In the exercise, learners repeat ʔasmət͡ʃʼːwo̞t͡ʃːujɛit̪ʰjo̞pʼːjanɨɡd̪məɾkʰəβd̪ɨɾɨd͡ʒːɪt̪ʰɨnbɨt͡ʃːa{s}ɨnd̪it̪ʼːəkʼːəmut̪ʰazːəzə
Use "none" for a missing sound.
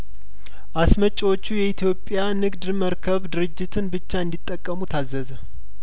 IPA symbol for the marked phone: none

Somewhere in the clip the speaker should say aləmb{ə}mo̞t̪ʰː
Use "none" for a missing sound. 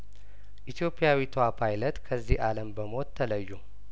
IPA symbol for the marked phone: ə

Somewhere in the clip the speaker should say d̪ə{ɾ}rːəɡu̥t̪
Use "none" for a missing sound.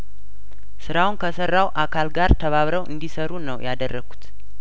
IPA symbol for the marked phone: none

